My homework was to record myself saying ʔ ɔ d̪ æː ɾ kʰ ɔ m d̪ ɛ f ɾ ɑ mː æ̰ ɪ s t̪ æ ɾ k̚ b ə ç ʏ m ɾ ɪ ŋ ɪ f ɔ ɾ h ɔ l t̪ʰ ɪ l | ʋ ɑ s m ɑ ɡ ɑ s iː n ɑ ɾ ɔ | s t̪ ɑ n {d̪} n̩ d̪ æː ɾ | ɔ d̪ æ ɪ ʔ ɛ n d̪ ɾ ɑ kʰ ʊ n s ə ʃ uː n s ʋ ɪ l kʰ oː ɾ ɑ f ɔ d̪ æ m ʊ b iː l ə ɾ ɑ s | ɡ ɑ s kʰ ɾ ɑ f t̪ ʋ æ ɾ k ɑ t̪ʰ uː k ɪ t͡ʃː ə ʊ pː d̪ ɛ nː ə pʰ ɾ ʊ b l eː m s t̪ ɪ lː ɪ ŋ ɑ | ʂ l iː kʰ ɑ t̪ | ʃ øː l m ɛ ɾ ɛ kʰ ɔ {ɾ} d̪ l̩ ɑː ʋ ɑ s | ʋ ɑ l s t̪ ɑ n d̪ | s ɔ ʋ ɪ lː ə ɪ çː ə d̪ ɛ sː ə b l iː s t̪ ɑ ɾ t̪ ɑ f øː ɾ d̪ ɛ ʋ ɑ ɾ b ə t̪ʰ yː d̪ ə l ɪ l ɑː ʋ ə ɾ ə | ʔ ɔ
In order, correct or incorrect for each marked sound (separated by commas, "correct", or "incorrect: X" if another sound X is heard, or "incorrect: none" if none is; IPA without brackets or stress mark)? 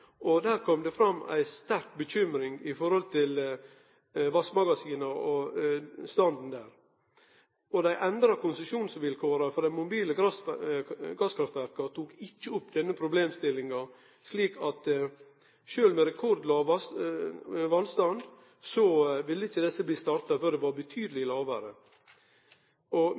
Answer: correct, correct